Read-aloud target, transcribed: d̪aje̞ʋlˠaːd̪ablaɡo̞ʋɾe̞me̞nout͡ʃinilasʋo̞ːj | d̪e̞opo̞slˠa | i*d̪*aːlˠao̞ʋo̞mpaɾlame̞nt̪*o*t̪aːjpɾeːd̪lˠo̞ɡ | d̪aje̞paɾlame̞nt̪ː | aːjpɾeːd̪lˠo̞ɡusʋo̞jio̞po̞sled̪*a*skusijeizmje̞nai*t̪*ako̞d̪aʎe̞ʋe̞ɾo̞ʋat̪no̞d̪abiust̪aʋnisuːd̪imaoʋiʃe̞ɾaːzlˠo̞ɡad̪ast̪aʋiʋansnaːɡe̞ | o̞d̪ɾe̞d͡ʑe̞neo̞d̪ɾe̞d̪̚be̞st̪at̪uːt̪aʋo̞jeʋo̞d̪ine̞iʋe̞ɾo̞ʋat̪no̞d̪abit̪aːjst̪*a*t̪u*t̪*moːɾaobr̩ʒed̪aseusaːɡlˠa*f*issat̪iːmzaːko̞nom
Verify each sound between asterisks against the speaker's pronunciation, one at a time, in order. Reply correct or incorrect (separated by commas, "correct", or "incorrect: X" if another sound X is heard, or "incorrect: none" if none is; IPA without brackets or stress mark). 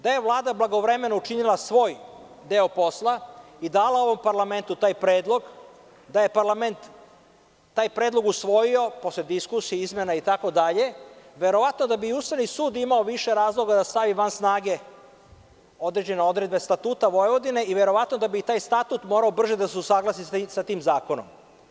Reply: correct, incorrect: u, incorrect: i, correct, correct, correct, incorrect: s